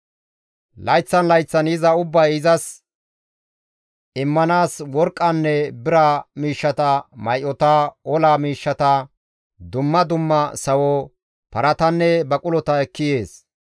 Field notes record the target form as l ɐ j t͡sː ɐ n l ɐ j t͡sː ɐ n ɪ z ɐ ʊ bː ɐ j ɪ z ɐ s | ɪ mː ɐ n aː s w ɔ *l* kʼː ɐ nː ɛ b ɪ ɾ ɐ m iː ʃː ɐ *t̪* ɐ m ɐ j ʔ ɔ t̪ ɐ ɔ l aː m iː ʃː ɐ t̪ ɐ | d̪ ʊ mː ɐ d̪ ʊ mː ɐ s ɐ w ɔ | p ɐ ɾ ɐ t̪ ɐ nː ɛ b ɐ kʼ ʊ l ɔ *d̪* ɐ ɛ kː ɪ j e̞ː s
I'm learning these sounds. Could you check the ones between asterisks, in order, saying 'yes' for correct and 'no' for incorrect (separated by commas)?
no, yes, no